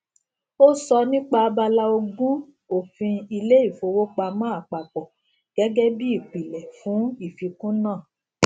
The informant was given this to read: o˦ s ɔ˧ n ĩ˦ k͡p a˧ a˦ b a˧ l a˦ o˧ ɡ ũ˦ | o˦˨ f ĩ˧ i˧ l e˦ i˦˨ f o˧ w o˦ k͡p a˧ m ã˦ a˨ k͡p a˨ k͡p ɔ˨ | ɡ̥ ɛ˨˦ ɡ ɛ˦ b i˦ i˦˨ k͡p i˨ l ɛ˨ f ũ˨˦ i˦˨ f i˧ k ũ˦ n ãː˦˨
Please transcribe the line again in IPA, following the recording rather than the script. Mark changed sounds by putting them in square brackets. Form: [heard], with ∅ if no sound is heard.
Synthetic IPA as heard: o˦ s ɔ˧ n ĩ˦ k͡p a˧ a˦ b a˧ l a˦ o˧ ɡ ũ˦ | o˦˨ f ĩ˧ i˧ l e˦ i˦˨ f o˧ w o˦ k͡p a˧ m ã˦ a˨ k͡p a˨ k͡p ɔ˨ | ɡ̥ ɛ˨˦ ɡ ɛ˦ b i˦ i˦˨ k͡p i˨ l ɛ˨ f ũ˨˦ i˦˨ f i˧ k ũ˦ n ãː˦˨

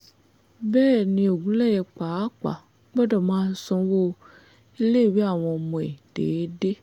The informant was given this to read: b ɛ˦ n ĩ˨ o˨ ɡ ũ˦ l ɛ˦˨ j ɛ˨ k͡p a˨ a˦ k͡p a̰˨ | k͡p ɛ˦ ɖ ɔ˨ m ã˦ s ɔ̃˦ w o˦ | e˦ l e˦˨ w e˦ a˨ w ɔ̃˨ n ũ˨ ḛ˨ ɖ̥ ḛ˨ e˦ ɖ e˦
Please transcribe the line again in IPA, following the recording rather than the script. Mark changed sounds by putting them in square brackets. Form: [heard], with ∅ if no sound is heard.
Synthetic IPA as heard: b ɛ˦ n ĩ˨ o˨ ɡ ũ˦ l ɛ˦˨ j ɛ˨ k͡p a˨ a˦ k͡p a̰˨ | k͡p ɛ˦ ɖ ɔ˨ m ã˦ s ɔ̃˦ w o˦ | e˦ l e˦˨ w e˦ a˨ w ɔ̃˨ [m] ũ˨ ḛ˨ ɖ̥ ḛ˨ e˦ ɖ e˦

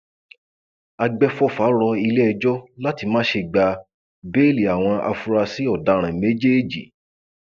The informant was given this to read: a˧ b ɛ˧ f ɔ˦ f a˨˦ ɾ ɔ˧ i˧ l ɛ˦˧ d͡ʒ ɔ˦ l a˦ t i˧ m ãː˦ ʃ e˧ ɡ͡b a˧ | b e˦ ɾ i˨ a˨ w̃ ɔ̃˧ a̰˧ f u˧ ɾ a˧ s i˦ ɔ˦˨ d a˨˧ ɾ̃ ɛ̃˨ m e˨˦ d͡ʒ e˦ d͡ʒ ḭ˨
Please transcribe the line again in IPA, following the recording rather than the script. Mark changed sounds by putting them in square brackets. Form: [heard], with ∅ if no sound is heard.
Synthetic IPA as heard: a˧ [ɡ͡b] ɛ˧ f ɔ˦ f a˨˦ ɾ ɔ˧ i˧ l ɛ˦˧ d͡ʒ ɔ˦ l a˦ t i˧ m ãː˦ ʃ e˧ ɡ͡b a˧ | b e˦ [l] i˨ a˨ w̃ ɔ̃˧ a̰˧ f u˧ ɾ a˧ s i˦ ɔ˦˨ d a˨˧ ɾ̃ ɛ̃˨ m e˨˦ d͡ʒ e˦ d͡ʒ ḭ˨

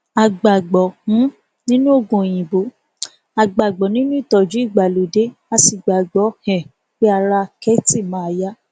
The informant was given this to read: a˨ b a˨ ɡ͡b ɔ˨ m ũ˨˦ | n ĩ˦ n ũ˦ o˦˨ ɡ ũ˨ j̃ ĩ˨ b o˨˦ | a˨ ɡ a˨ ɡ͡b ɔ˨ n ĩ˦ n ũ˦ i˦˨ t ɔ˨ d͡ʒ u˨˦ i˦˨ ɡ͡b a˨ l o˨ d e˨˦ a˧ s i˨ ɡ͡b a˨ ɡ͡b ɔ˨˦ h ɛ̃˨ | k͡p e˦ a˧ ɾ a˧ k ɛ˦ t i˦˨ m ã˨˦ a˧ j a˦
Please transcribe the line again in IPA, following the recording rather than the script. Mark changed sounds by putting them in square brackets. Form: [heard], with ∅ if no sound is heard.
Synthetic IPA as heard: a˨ [ɡ͡b] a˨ ɡ͡b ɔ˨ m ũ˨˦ | n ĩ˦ n ũ˦ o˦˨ ɡ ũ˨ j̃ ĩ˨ b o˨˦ | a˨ [ɡ͡b] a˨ ɡ͡b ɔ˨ n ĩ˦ n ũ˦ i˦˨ t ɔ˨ d͡ʒ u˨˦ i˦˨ ɡ͡b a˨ l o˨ d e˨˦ a˧ s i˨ ɡ͡b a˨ ɡ͡b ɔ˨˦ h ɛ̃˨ | k͡p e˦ a˧ ɾ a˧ k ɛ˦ t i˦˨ m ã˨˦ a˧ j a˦

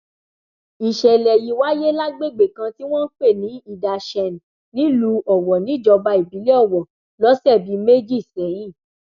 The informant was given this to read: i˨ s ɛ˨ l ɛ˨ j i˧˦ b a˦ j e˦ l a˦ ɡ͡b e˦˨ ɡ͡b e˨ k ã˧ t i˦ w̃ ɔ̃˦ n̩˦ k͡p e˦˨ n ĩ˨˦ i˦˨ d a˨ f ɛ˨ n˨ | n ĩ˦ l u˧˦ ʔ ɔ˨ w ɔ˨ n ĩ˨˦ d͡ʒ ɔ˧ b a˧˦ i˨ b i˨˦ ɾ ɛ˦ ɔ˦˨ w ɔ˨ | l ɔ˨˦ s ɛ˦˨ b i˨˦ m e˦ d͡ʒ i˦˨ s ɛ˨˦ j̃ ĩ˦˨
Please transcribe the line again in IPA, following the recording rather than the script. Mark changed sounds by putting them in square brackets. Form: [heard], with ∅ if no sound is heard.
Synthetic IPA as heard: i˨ [ʃ] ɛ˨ l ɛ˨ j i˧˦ [w] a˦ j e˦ l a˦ ɡ͡b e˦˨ ɡ͡b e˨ k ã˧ t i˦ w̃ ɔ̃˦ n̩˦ k͡p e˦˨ n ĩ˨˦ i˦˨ d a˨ [ʃ] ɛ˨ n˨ | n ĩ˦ l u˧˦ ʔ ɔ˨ w ɔ˨ n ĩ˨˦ d͡ʒ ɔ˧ b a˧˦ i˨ b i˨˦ [l] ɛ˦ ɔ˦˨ w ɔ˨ | l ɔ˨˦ s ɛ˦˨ b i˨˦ m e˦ d͡ʒ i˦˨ s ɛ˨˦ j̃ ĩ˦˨

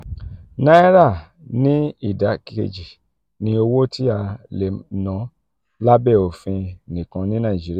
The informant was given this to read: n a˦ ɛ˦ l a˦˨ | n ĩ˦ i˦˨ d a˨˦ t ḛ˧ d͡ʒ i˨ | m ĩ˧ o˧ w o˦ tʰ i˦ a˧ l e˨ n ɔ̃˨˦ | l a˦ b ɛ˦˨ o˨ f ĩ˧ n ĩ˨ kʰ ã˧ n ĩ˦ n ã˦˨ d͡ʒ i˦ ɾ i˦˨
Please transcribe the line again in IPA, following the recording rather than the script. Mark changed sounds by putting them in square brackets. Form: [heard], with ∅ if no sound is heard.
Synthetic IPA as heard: n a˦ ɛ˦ [ɾ] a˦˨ | n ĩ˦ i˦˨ d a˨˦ [k] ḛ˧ d͡ʒ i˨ | [n] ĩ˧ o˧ w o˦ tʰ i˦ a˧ l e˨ n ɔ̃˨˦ | l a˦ b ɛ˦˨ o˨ f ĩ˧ n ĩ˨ [k] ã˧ n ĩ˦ n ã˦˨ d͡ʒ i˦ ɾ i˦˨

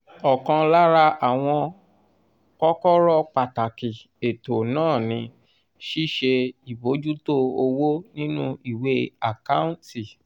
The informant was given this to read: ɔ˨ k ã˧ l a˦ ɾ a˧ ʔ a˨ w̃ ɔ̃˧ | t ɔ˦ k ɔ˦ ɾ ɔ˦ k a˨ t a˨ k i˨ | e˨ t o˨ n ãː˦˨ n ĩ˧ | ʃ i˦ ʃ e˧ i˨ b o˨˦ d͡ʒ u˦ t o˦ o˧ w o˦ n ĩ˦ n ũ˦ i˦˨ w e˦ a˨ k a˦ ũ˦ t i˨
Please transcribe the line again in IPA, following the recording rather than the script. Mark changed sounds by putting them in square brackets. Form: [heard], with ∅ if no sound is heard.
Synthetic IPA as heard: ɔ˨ k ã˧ l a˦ ɾ a˧ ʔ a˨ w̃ ɔ̃˧ | [k] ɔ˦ k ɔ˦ ɾ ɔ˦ [k͡p] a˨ t a˨ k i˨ | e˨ t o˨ n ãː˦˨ n ĩ˧ | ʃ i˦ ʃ e˧ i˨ b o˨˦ d͡ʒ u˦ t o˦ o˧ w o˦ n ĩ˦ n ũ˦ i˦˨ w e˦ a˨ k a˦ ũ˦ t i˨

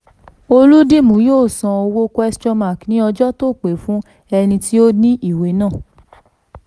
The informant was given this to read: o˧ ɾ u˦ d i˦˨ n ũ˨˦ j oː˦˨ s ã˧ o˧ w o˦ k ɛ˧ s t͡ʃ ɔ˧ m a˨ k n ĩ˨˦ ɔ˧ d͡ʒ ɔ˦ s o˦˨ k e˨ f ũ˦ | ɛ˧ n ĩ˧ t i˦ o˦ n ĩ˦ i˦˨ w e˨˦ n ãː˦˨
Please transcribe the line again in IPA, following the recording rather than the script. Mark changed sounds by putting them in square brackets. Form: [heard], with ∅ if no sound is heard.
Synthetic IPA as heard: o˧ [l] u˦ d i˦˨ [m] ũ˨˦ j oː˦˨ s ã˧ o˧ w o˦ k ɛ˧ s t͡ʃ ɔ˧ m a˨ k n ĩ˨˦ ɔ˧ d͡ʒ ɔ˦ [t] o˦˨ [k͡p] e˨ f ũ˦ | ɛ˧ n ĩ˧ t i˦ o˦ n ĩ˦ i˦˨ w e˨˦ n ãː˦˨

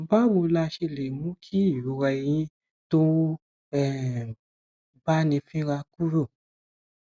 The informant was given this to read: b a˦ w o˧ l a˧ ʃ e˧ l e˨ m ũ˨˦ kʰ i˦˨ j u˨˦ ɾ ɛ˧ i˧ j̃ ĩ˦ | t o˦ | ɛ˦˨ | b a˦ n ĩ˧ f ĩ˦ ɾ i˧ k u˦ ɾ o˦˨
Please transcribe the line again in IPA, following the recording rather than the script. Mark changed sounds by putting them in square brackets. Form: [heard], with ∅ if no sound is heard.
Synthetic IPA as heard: b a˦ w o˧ l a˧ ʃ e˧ l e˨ m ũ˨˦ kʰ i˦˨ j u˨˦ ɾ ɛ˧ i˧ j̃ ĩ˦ | t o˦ | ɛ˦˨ | b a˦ n ĩ˧ f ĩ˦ ɾ [a˧] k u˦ ɾ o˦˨

